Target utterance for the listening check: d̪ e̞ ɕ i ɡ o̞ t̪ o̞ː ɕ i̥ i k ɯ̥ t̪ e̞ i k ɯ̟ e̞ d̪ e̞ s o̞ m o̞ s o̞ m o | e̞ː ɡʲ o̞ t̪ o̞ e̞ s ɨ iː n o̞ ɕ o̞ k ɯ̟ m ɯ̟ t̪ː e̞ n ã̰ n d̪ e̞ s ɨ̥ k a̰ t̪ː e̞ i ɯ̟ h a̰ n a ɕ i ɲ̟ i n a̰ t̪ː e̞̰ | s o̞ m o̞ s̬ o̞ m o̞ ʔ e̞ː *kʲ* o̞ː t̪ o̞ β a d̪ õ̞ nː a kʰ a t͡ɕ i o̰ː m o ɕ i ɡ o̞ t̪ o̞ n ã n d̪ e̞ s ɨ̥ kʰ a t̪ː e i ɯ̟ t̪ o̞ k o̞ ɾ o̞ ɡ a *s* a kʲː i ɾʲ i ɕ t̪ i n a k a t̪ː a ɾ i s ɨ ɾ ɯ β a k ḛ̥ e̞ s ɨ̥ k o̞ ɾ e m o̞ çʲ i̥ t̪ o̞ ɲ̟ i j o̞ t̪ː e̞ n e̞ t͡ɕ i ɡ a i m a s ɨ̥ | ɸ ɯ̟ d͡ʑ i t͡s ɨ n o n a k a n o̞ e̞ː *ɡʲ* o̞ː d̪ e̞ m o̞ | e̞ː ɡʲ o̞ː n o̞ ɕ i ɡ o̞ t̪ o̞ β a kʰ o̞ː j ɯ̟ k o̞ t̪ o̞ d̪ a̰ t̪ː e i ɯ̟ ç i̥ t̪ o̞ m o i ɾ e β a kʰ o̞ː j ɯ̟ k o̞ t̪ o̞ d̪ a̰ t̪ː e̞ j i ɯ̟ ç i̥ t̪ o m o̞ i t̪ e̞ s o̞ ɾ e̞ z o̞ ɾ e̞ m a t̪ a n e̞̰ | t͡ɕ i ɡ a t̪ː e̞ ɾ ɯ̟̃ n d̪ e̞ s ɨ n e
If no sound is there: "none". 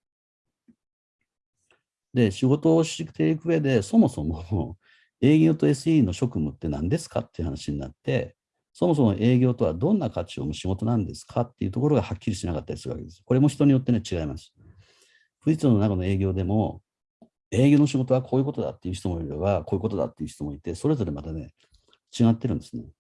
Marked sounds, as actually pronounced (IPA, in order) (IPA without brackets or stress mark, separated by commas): ɡʲ, h, ɡʲ